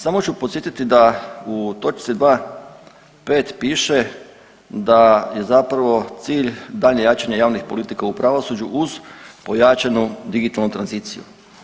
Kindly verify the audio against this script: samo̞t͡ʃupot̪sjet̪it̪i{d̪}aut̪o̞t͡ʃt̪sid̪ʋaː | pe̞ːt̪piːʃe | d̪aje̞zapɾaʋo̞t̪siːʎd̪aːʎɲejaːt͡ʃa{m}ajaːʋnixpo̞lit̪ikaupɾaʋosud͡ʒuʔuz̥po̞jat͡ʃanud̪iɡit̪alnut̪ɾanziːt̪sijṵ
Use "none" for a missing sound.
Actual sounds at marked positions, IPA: d̪, ɲ

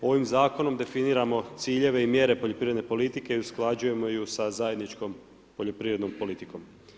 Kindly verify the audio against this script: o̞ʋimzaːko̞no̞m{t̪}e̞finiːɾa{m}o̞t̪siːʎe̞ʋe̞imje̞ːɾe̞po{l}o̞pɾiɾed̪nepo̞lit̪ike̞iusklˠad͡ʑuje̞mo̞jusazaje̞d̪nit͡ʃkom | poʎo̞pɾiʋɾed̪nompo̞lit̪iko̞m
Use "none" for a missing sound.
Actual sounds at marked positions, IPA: d̪, m, ʎ

